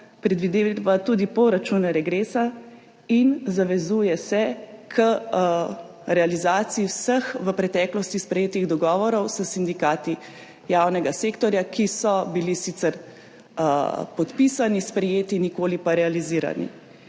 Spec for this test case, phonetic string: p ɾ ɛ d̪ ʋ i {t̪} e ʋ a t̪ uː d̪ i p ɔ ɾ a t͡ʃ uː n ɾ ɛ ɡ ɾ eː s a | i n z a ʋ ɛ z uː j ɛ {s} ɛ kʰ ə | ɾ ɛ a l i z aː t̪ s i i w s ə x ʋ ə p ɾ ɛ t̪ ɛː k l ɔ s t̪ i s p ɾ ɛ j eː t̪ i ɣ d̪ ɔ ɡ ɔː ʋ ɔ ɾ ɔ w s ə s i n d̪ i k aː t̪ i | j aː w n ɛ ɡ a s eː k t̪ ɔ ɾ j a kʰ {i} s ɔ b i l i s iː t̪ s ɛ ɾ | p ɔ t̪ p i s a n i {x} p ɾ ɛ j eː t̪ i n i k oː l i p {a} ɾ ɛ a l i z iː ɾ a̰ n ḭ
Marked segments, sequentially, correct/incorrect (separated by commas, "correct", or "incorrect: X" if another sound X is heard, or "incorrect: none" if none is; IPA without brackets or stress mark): incorrect: d̪, correct, correct, incorrect: s, correct